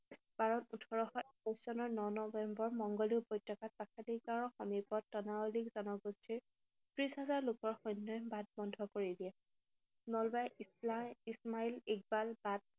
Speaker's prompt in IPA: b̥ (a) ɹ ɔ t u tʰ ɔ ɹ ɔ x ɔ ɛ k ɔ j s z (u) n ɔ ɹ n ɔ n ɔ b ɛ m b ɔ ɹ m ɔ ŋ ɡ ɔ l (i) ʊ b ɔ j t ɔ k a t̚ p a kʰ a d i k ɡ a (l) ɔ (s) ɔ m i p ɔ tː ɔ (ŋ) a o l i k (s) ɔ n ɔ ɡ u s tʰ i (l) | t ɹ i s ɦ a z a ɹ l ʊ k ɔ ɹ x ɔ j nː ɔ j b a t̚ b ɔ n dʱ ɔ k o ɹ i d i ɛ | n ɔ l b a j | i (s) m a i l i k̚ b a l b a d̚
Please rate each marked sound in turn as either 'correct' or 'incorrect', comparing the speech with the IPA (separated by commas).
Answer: correct, incorrect, correct, incorrect, incorrect, incorrect, incorrect, incorrect, correct